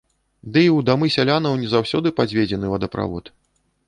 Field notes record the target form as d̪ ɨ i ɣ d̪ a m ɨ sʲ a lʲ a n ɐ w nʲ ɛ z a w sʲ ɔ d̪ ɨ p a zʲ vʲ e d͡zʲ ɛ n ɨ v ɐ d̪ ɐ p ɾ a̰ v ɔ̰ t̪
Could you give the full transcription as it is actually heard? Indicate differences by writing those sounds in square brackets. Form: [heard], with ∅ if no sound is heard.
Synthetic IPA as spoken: d̪ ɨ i [w] d̪ a m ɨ sʲ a lʲ a n ɐ w nʲ ɛ z a w sʲ ɔ d̪ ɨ p a [d͡zʲ] vʲ e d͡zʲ ɛ n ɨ v ɐ d̪ ɐ p ɾ a̰ v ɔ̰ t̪

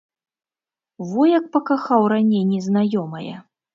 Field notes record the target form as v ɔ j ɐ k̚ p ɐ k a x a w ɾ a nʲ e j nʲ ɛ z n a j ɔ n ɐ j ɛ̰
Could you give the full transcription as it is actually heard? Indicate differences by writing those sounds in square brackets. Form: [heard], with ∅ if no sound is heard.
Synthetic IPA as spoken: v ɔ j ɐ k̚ p ɐ k a x a w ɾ a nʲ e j nʲ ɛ z n a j ɔ [m] ɐ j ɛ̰

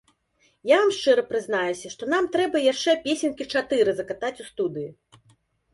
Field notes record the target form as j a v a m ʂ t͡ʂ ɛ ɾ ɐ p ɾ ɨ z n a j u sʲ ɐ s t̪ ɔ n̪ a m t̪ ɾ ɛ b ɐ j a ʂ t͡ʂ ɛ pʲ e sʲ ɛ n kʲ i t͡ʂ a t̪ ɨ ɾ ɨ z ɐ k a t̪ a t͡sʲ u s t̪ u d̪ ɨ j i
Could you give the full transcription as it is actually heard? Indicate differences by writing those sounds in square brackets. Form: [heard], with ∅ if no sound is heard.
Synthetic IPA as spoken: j a v a m ʂ t͡ʂ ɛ ɾ ɐ p ɾ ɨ z n a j u sʲ ɐ [ʂ] t̪ ɔ n̪ a m t̪ ɾ ɛ b ɐ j a ʂ t͡ʂ ɛ pʲ e sʲ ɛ n kʲ i t͡ʂ a t̪ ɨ ɾ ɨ z ɐ k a t̪ a t͡sʲ u s t̪ u d̪ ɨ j i

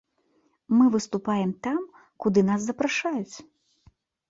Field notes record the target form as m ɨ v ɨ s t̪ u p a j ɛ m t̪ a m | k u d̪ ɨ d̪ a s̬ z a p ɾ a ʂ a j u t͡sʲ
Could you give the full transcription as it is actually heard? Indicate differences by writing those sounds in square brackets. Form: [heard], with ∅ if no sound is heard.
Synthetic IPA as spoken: m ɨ v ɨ s t̪ u p a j ɛ m t̪ a m | k u d̪ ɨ [n̪] a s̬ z [ɐ] p ɾ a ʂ a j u t͡sʲ

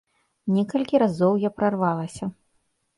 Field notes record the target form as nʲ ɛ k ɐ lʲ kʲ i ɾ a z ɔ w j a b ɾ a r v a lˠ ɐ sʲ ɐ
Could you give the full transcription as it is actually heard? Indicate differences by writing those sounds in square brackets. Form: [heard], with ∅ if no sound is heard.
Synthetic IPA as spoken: nʲ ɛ k ɐ lʲ kʲ i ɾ a z ɔ w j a [p] ɾ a r v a lˠ ɐ sʲ ɐ

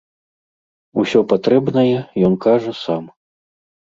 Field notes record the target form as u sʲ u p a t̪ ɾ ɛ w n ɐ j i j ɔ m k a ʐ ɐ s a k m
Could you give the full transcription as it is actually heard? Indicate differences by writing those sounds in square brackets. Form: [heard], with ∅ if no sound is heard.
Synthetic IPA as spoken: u sʲ [ɔ] p a t̪ ɾ ɛ [b] n ɐ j [ɛ] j ɔ [n] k a ʐ ɐ s a [∅] m

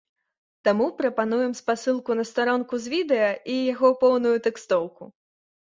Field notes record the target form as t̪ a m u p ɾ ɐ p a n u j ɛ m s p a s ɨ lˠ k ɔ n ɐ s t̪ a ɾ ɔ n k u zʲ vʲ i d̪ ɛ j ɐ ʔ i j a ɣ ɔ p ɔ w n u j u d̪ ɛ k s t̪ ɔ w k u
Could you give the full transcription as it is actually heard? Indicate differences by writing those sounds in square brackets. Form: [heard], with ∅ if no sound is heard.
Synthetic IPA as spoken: t̪ a m u p ɾ ɐ p a n u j ɛ m s p a s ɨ lˠ k [u] n ɐ s t̪ a ɾ ɔ n k u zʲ vʲ i d̪ ɛ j ɐ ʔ i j a ɣ ɔ p ɔ w n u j u [t̪] ɛ k s t̪ ɔ w k u

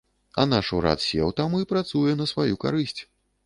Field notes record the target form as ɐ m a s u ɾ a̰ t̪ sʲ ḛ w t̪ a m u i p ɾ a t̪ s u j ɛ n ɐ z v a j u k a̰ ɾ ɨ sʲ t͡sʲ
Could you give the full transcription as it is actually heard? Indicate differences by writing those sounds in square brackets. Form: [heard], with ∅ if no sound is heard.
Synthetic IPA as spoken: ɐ [n] a [ʂ] u ɾ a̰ t̪ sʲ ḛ w t̪ a m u i p ɾ a t̪ s u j ɛ n ɐ [s] v a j u k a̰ ɾ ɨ sʲ t͡sʲ

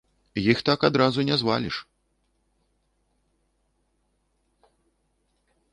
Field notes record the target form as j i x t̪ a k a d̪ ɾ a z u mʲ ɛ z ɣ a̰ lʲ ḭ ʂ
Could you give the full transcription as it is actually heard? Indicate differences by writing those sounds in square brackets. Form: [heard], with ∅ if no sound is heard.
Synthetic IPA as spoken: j i x t̪ a k a d̪ ɾ a z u [nʲ] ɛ z [v] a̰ lʲ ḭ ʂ

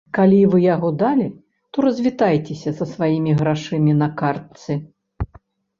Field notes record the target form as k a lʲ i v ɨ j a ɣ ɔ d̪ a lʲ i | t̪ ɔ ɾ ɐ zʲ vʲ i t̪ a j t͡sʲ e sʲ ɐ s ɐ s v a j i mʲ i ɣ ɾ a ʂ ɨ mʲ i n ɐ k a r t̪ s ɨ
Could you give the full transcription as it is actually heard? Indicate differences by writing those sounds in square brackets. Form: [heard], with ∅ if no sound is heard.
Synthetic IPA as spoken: k a lʲ i v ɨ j a ɣ ɔ d̪ a lʲ i | t̪ ɔ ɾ ɐ zʲ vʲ i t̪ a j t͡sʲ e sʲ ɐ s ɐ s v a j i mʲ i ɣ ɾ a ʂ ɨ mʲ i n ɐ k a r t̪ s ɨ

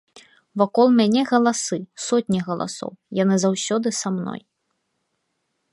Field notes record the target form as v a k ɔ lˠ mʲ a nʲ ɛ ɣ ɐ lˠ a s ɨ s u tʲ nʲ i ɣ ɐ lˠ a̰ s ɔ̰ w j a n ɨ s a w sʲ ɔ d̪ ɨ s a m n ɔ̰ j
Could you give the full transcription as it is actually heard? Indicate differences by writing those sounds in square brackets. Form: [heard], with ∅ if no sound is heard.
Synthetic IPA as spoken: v a k ɔ lˠ mʲ a nʲ ɛ ɣ ɐ lˠ a s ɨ s [ɔ] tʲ nʲ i ɣ ɐ lˠ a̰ s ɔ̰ w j a n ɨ [z] a w sʲ ɔ d̪ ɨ s a m n ɔ̰ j

